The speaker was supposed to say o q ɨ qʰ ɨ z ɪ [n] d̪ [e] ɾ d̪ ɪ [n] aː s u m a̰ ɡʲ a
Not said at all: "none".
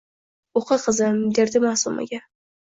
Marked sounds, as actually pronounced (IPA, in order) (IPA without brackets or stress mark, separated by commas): m, e, m